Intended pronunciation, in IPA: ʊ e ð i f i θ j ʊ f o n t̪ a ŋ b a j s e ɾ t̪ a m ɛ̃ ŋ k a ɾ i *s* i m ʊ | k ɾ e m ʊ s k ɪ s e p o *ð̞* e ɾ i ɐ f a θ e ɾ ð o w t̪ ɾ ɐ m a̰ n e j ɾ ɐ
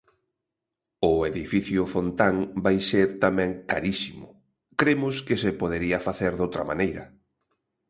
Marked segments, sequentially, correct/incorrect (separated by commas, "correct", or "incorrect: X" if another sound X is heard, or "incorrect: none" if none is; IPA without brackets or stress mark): correct, correct